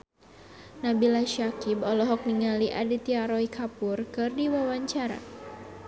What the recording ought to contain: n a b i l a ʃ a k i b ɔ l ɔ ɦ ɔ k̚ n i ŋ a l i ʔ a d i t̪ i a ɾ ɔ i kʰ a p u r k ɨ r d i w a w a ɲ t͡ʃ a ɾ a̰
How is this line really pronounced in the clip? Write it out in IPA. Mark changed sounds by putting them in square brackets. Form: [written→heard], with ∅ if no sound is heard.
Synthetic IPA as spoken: n a b i l a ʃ a k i b ɔ l ɔ ɦ ɔ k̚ n i ŋ a l i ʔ a d i t̪ i a ɾ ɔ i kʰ a p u r k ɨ r d i w a w a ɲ t͡ʃ a ɾ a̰